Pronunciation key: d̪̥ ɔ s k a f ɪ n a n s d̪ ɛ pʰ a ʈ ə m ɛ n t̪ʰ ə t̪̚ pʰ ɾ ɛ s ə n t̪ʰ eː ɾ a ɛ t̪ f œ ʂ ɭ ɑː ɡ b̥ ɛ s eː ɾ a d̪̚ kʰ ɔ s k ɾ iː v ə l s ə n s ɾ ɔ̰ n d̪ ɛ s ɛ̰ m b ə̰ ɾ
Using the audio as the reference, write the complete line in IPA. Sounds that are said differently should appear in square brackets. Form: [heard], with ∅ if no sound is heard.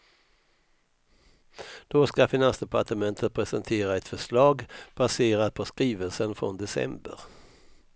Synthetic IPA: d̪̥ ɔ s k a f ɪ n a n s d̪ ɛ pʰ a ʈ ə m ɛ n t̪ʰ ə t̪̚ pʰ ɾ ɛ s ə n t̪ʰ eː ɾ a ɛ t̪ f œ ʂ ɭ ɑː ɡ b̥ [a] s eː ɾ a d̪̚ [pʰ] ɔ s k ɾ iː v ə l s ə n [f] ɾ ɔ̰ n d̪ ɛ s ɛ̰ m b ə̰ ɾ

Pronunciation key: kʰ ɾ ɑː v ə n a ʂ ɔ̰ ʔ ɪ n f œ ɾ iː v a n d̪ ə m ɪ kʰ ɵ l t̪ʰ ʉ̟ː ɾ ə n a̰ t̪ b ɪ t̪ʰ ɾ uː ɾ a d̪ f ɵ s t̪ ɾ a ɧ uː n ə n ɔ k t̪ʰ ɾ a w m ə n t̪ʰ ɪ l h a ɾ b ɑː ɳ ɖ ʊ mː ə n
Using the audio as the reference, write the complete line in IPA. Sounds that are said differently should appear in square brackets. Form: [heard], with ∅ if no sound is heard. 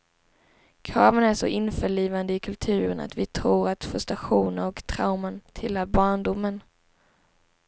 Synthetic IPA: kʰ ɾ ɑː v ə n [æ] ʂ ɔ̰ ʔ ɪ n f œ [ɭ] iː v a n d̪ ə [∅] ɪ kʰ ɵ l t̪ʰ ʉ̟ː ɾ ə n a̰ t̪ [v] ɪ t̪ʰ ɾ uː ɾ a [t̪] f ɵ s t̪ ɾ a ɧ uː n ə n ɔ k t̪ʰ ɾ a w m ə n t̪ʰ ɪ l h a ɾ b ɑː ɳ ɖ ʊ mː ə n

